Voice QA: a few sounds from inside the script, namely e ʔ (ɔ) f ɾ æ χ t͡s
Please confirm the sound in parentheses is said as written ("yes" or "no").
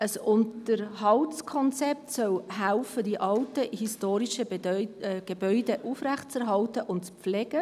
no